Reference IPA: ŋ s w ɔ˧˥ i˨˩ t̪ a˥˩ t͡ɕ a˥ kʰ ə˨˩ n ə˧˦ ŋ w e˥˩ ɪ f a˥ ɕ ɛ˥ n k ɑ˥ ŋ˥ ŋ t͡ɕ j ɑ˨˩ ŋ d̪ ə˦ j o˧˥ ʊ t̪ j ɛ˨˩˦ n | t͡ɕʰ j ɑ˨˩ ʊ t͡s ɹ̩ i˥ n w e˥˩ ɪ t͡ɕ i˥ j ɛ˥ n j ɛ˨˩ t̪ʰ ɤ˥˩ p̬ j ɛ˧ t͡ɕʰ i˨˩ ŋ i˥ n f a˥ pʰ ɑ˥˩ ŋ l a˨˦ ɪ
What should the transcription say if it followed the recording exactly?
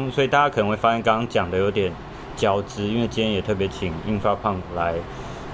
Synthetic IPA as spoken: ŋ s w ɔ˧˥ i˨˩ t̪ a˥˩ t͡ɕ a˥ kʰ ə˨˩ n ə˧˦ ŋ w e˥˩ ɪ f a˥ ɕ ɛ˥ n k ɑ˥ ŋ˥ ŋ t͡ɕ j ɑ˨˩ ŋ d̪ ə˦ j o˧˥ ʊ t̪ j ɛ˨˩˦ n | t͡ɕ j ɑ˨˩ ʊ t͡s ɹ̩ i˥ n w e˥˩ ɪ t͡ɕ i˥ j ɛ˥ n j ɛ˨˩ t̪ʰ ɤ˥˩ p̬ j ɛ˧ t͡ɕʰ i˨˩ ŋ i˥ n f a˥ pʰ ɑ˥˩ ŋ l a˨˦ ɪ